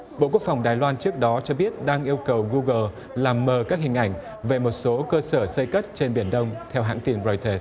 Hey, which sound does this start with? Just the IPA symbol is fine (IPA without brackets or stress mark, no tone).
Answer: ɓ